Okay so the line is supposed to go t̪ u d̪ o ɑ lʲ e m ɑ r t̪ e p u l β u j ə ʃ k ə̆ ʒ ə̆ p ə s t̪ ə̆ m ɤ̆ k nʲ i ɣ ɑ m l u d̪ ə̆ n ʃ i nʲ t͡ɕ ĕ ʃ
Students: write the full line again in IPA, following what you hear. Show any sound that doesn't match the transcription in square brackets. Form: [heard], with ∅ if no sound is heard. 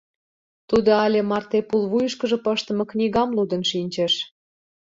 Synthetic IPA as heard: t̪ u d̪ o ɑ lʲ e m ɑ r t̪ e p u l β u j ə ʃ k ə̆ ʒ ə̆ p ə [ʃ] t̪ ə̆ m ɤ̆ k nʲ i ɣ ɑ m l u d̪ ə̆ n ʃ i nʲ t͡ɕ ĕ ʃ